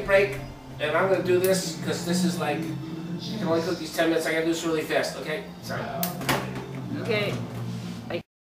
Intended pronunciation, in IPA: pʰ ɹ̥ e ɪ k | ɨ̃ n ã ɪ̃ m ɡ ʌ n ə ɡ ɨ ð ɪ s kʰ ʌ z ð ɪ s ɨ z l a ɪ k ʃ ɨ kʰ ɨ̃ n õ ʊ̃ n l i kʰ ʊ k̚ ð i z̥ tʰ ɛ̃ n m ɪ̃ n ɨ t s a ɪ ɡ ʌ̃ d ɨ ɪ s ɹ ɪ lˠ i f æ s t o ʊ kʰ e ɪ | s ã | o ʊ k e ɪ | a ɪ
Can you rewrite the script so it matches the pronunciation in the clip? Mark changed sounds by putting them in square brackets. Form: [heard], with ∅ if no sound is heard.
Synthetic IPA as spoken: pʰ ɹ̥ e ɪ k | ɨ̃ n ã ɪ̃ m ɡ ʌ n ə [d] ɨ ð ɪ s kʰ ʌ z ð ɪ s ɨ z l a ɪ k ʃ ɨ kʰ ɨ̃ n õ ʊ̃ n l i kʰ ʊ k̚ ð i z̥ tʰ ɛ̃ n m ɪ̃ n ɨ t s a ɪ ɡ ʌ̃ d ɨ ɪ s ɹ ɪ lˠ i f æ s t o ʊ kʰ e ɪ | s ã | o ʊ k e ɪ | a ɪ